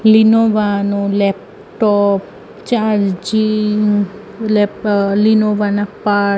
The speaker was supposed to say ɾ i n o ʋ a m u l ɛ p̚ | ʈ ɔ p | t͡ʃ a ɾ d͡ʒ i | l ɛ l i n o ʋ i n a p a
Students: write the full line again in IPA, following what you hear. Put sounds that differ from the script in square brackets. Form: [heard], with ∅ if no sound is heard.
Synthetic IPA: [l] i n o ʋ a [n] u l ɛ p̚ | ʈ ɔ p | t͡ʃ a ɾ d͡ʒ i | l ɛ l i n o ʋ [a] n a p a

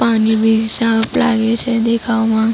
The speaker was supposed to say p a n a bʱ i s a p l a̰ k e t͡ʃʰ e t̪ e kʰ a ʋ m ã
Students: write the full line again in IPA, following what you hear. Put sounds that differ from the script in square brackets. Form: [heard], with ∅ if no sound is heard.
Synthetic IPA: p a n [i] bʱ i s a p l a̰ [ɡ] e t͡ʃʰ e [d̪] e kʰ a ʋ m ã

